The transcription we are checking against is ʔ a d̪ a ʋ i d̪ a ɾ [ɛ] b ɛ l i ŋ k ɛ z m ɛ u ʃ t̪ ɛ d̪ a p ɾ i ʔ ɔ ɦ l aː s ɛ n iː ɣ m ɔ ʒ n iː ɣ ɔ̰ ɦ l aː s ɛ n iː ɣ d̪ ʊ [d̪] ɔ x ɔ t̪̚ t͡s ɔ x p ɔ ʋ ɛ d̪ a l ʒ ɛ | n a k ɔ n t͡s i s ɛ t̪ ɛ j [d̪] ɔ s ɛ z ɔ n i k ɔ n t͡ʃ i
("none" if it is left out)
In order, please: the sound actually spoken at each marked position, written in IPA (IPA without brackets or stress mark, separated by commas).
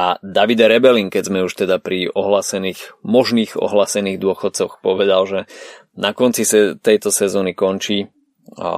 ɛ, none, t̪